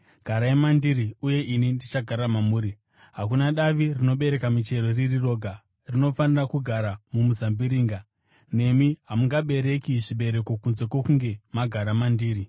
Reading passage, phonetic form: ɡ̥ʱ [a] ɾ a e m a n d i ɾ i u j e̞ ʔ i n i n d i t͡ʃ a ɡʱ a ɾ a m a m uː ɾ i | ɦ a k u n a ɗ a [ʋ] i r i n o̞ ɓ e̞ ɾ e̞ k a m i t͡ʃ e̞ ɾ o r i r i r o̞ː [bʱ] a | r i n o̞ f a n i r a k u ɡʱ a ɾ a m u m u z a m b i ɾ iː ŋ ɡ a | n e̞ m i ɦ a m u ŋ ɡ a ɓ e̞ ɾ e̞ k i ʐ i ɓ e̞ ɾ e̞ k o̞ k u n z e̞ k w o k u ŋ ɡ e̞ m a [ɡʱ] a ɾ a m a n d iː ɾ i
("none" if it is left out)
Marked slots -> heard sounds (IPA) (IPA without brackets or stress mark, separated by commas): a, ʋ, ɡʱ, ɡʱ